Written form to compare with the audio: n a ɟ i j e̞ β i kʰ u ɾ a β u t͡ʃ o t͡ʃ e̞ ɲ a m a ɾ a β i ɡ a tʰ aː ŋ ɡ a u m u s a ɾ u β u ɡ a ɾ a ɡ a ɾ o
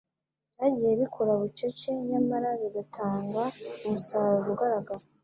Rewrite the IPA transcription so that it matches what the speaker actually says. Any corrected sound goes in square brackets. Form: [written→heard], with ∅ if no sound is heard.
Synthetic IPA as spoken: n a ɟ i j e̞ β i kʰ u ɾ a β u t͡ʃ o t͡ʃ e̞ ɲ a m a ɾ a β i ɡ a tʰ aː ŋ ɡ a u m u s a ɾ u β u ɡ a ɾ a ɡ a ɾ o